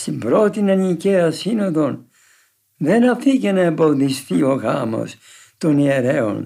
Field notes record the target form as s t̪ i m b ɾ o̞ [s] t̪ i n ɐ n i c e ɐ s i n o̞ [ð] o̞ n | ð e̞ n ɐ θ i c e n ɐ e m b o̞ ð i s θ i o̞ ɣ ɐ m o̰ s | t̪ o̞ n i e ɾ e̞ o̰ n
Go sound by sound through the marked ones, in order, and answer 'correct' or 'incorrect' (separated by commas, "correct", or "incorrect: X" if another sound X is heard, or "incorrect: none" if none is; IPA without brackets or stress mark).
incorrect: none, correct